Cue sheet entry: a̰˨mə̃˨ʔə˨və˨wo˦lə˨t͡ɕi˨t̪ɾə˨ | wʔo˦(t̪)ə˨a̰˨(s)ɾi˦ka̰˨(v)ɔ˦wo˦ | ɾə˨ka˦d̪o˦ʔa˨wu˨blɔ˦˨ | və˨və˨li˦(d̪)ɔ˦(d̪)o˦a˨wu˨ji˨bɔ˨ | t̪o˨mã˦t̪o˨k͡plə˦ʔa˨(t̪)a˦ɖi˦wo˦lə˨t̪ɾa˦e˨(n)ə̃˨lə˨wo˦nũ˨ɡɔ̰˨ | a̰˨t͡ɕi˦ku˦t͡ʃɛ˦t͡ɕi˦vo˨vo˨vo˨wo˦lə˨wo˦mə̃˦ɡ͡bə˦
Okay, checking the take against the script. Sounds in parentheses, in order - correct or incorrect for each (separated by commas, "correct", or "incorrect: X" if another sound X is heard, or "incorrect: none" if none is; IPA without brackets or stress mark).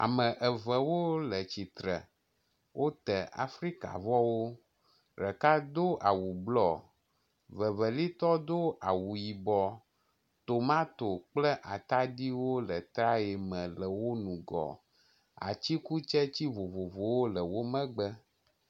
correct, incorrect: f, correct, incorrect: t̪, correct, correct, incorrect: m